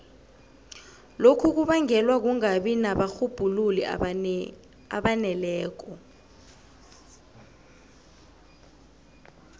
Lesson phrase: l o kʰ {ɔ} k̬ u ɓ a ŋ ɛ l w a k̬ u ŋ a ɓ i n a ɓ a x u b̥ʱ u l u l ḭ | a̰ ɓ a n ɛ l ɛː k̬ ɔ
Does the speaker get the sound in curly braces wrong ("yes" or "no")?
yes